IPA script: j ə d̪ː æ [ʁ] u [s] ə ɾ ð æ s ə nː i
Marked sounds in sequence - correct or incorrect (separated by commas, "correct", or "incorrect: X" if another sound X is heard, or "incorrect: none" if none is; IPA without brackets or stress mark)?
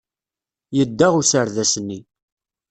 correct, correct